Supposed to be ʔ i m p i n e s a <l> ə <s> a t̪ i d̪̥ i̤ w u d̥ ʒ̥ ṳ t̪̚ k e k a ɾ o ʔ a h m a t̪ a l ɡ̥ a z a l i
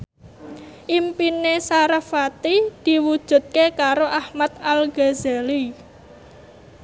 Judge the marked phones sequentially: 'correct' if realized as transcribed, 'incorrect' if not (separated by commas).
incorrect, incorrect